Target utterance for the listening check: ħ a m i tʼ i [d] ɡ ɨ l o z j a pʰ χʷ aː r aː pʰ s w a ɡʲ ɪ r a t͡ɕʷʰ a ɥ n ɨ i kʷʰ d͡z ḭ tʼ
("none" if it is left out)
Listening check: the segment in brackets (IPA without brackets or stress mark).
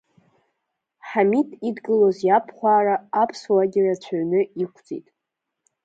d